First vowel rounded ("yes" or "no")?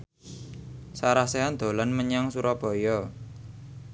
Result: no